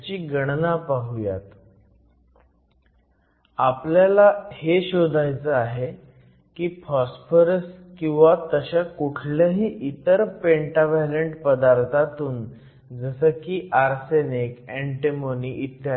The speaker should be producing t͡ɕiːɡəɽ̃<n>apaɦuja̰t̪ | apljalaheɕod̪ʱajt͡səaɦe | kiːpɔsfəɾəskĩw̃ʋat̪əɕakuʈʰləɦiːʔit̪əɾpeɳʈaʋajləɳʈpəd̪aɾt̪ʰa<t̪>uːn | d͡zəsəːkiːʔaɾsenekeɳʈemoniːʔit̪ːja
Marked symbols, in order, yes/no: yes, yes

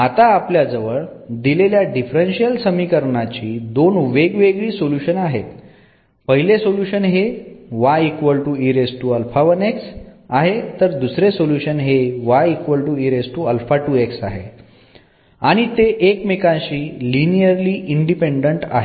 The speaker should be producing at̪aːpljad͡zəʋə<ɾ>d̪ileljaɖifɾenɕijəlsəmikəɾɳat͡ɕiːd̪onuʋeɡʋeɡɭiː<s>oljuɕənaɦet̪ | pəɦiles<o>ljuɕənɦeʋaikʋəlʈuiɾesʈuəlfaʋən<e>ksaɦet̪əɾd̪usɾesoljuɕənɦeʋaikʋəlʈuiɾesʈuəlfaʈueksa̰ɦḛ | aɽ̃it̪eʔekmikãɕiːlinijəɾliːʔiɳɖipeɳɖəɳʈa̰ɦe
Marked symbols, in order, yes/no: no, yes, yes, yes

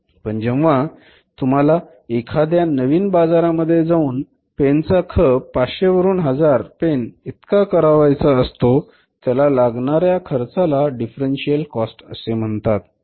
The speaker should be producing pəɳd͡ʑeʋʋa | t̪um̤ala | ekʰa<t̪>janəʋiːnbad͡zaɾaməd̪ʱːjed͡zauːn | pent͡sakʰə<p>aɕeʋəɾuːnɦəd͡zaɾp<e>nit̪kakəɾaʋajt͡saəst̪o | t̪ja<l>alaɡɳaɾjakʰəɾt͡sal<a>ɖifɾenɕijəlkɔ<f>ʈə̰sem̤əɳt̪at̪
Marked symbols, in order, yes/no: no, yes, yes, yes, yes, no

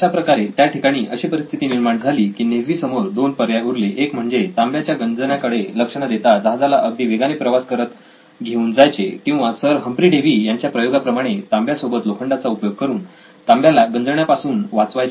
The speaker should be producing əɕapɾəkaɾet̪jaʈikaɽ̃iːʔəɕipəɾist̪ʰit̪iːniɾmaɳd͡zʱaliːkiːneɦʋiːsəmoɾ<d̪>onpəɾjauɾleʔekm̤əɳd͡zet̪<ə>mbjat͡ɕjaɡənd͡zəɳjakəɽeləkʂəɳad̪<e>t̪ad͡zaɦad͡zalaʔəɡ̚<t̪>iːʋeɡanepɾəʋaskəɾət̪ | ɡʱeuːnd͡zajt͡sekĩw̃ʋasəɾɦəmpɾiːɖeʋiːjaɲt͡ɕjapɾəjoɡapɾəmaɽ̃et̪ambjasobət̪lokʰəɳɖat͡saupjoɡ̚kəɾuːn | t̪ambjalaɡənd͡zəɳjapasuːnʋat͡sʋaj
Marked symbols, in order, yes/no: yes, no, yes, no

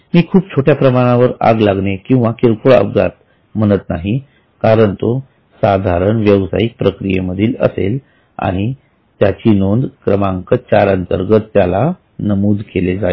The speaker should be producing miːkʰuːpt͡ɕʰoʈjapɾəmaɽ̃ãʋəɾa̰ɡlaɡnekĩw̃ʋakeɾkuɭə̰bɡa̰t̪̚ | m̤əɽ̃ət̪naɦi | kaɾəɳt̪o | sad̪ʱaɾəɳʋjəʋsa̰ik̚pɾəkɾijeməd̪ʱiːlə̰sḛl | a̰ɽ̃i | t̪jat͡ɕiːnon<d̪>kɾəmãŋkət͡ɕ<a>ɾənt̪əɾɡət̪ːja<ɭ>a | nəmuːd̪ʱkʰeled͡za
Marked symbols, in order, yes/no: yes, yes, no

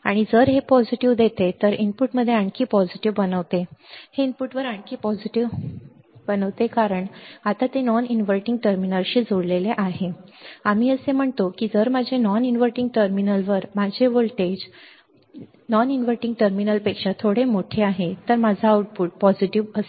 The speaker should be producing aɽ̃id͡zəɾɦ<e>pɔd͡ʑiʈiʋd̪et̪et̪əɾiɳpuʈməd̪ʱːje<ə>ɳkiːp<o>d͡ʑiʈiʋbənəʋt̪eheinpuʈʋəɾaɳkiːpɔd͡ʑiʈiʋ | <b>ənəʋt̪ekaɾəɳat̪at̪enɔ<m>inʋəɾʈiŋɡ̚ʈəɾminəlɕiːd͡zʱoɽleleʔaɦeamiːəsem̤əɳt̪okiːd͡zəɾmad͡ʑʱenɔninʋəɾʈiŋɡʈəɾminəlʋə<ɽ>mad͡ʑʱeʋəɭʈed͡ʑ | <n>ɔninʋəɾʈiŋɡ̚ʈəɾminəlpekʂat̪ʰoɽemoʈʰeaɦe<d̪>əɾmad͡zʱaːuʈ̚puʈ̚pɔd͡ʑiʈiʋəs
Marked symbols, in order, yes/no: yes, no, no, yes, no, no, yes, no

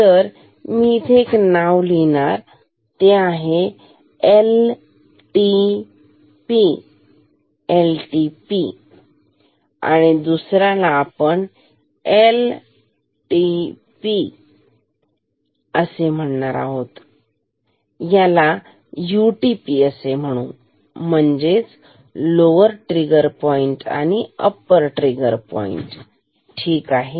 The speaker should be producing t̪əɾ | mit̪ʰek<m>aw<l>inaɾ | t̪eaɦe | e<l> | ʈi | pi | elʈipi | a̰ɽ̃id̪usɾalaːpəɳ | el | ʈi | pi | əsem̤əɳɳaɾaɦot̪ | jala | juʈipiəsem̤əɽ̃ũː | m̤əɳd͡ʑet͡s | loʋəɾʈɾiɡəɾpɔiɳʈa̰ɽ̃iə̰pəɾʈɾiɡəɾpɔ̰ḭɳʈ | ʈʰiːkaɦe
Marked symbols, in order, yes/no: no, yes, yes

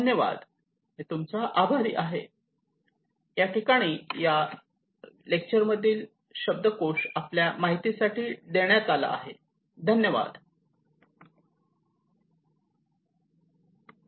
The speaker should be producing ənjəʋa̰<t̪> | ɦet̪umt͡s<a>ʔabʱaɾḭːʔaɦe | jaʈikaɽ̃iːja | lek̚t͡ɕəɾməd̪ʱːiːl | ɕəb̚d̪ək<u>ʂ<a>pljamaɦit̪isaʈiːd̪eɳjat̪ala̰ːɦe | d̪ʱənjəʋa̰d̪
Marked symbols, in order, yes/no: no, yes, no, yes

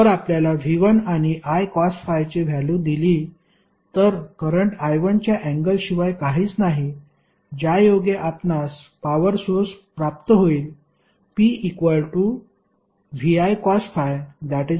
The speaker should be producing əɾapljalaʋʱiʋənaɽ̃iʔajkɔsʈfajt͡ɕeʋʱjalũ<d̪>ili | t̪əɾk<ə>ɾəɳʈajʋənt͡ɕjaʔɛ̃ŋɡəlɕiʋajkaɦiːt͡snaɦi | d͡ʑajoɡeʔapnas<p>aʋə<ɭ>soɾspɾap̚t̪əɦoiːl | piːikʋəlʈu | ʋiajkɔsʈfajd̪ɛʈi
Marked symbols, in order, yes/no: yes, yes, yes, no

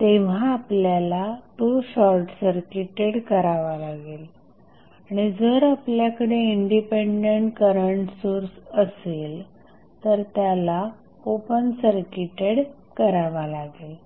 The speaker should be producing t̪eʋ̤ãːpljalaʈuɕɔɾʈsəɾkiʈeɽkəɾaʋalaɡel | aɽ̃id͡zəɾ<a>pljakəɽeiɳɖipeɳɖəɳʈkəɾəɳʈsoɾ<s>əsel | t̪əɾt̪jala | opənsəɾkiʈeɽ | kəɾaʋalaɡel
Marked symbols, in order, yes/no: yes, yes

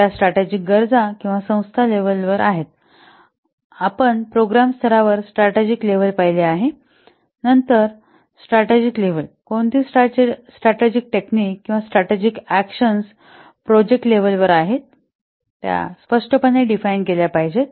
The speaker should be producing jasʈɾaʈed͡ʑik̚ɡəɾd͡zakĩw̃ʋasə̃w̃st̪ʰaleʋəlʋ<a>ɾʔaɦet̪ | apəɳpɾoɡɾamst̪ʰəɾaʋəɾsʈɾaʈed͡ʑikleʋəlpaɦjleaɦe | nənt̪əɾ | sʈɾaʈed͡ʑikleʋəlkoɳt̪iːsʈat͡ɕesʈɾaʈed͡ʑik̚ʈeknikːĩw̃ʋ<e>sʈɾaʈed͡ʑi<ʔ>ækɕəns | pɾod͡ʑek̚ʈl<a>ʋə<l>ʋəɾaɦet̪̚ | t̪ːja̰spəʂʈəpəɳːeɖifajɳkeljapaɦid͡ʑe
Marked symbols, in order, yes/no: no, no, no, no, yes

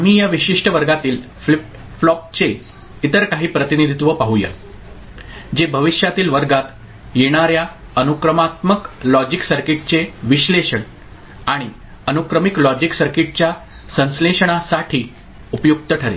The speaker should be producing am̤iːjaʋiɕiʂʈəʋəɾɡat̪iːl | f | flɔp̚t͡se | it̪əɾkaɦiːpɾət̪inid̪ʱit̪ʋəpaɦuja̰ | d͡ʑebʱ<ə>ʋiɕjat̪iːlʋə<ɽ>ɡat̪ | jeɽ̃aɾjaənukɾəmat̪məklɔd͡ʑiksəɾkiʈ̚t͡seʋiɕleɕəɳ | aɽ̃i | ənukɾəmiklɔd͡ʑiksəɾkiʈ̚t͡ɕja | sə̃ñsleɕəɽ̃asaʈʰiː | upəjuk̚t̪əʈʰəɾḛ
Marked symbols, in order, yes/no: yes, no

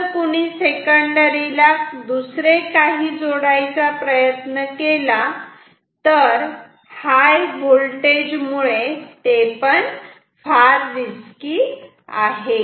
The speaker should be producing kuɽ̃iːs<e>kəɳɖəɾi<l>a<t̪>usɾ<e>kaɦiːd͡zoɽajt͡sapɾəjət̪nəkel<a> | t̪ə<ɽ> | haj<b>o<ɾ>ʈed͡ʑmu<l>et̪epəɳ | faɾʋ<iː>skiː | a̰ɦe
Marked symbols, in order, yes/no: yes, yes, no, yes, yes, no, yes, no, no, no

